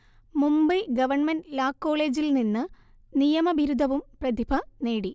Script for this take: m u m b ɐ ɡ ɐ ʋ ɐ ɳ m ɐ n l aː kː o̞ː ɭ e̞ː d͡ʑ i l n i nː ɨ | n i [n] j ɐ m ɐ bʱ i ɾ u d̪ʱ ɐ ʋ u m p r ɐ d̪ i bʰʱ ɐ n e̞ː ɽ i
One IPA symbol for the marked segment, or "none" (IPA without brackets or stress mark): none